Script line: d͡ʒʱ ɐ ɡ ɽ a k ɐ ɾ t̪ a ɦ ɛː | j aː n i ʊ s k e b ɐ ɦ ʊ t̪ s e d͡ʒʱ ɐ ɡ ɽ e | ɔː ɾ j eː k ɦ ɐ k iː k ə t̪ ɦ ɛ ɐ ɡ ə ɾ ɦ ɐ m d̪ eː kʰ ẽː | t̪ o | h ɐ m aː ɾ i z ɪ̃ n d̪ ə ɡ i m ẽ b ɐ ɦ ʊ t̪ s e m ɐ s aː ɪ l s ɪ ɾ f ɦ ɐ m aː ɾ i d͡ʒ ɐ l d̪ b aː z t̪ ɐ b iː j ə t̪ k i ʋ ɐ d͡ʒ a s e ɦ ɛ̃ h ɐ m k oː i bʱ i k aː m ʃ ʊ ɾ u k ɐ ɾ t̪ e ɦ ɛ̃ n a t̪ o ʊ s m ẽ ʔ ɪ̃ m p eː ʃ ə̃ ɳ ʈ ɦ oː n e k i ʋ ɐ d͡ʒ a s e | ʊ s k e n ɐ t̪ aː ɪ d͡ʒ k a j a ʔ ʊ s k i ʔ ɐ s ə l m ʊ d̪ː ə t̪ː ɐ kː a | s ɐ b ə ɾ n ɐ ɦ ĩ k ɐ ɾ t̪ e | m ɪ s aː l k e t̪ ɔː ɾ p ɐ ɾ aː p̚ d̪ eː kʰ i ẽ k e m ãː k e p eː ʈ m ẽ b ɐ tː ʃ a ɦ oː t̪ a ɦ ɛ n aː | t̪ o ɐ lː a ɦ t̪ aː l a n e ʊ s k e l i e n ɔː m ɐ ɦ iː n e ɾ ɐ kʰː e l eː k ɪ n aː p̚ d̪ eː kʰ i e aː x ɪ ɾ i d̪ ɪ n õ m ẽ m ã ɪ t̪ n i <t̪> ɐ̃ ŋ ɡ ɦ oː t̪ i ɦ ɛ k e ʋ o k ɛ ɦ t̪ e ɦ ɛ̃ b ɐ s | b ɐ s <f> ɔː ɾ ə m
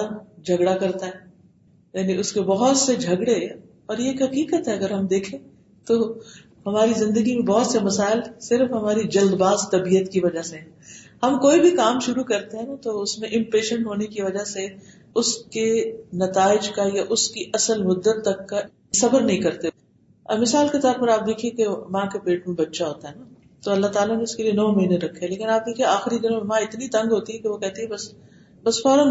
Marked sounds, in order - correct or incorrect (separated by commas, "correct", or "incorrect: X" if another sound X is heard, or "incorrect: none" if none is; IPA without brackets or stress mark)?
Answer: correct, correct